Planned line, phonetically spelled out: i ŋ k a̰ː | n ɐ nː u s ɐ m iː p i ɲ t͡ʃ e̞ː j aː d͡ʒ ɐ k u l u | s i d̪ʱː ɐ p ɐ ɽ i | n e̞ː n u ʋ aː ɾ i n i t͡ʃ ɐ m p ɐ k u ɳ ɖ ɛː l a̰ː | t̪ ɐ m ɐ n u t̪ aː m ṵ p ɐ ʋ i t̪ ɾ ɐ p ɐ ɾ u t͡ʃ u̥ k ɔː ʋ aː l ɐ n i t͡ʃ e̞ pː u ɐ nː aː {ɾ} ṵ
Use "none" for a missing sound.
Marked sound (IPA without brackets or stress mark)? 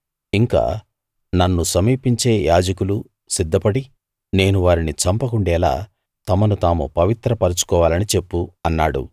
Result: ɽ